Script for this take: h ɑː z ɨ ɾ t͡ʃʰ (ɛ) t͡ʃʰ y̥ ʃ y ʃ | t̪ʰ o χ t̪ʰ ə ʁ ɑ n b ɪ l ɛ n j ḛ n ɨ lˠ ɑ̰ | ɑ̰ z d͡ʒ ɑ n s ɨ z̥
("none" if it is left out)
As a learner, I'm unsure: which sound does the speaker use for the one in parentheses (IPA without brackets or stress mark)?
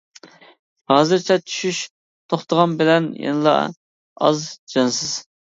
ɛ